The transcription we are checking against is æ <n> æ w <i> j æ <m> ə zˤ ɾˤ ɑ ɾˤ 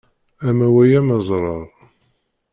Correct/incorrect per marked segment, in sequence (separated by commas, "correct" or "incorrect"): incorrect, incorrect, correct